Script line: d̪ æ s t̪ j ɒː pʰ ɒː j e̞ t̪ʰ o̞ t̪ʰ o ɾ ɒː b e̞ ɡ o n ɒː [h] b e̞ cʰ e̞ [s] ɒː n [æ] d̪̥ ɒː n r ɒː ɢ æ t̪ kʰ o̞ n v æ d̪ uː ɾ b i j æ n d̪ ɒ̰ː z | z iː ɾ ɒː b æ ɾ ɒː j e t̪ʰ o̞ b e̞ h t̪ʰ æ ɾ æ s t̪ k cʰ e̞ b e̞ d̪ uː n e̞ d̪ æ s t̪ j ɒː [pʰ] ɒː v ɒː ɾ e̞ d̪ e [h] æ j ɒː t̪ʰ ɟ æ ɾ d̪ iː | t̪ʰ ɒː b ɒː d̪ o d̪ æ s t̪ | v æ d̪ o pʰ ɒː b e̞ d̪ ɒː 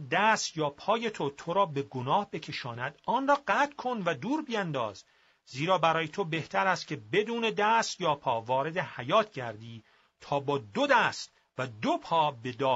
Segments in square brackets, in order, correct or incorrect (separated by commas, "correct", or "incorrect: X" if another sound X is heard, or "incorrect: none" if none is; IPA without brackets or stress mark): correct, incorrect: ʃ, correct, correct, correct